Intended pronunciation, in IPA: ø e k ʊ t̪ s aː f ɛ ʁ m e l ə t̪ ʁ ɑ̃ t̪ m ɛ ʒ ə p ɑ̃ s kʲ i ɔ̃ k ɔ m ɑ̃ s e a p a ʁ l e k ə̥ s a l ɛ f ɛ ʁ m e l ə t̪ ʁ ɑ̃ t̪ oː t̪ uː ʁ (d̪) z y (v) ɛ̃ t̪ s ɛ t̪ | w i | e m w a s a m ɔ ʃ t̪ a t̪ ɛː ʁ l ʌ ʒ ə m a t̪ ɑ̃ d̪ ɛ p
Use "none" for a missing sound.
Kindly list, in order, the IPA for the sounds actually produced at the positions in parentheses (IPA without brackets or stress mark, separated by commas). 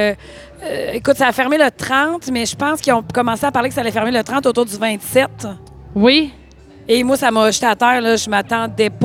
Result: d̪, v